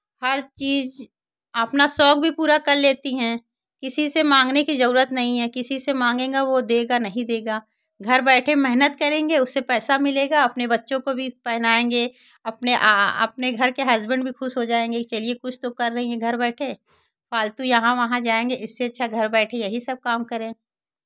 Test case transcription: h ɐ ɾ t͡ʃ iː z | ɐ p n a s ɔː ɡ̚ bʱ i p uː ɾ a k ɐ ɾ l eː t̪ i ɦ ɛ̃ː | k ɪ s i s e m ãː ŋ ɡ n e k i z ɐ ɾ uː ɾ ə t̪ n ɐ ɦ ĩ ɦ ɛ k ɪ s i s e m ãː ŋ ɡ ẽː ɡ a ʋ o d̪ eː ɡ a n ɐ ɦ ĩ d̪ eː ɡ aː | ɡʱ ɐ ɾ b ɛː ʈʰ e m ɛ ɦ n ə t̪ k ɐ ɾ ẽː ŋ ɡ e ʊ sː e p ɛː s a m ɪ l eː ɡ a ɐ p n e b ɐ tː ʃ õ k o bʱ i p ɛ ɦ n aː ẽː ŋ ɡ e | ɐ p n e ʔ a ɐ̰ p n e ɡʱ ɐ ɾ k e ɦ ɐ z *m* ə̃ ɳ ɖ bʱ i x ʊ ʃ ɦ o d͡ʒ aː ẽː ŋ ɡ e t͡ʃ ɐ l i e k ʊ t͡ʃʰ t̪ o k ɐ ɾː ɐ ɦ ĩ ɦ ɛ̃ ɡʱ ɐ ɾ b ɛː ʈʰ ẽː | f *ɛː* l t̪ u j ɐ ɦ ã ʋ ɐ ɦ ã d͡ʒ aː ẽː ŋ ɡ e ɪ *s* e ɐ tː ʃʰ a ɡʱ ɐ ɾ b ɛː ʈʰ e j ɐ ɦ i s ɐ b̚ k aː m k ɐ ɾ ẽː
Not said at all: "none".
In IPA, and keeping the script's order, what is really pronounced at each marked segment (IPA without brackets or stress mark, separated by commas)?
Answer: b, aː, sː